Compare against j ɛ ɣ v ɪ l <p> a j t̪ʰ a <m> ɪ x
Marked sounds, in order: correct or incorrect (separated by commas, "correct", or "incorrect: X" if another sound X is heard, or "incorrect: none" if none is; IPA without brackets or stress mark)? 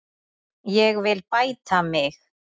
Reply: correct, correct